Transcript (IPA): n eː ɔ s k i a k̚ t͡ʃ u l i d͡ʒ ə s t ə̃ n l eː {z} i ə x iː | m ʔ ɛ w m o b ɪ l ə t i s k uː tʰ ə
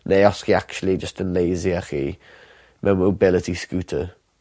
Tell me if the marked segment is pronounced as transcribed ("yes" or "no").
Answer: yes